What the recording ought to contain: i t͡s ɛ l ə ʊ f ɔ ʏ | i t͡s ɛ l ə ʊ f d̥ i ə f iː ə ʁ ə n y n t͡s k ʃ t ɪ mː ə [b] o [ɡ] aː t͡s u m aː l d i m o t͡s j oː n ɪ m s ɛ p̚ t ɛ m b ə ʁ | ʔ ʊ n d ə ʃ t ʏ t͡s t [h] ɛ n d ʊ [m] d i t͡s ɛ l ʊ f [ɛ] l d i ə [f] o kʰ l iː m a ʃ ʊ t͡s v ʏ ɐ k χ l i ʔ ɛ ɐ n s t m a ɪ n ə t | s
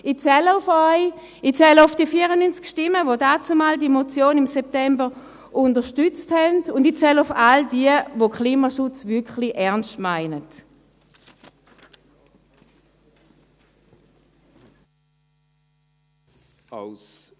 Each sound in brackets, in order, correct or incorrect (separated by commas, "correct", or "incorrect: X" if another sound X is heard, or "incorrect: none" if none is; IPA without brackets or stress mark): incorrect: v, incorrect: d, correct, incorrect: n, incorrect: a, incorrect: v